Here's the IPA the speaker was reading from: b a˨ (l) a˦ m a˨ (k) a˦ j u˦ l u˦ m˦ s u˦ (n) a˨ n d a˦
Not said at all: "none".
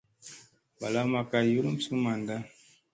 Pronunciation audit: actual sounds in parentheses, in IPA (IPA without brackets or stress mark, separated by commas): l, k, m